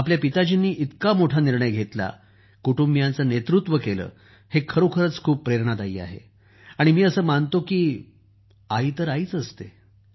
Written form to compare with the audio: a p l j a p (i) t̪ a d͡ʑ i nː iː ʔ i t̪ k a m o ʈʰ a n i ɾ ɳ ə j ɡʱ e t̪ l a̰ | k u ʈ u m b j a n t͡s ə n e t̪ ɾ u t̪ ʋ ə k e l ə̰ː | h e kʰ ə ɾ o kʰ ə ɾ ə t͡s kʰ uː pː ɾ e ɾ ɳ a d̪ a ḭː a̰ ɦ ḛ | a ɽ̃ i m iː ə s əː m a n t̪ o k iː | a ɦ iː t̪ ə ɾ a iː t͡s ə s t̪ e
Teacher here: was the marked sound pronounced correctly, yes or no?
yes